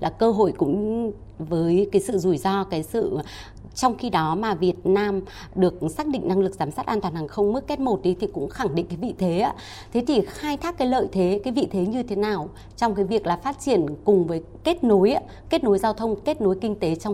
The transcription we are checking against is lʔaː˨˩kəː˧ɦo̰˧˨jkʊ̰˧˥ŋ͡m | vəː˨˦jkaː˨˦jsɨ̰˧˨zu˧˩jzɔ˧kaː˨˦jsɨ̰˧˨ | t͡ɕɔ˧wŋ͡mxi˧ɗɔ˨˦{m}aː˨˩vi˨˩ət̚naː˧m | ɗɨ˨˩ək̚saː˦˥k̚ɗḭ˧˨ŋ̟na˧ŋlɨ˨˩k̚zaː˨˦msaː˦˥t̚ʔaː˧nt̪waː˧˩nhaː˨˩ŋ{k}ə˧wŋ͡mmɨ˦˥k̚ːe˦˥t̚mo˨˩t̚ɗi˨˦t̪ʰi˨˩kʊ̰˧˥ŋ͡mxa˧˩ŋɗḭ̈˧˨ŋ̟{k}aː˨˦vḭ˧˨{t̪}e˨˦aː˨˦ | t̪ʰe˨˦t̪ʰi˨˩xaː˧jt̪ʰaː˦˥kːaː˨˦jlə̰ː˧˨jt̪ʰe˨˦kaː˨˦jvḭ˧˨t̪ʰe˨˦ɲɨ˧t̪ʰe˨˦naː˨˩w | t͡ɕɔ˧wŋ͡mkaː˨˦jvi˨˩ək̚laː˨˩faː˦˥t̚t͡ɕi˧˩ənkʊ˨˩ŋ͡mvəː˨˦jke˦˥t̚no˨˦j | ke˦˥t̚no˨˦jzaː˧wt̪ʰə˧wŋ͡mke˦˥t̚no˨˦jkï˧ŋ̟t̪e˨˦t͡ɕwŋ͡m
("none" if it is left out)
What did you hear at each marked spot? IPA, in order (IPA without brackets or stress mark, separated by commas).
m, x, k, t̪ʰ